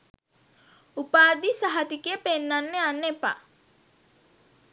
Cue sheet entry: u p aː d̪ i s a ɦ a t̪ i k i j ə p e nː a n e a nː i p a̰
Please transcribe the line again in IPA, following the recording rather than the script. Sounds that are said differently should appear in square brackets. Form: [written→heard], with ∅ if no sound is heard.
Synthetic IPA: u p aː d̪ i s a ɦ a t̪ i k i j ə p e nː a [n→nː] e a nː [i→e] p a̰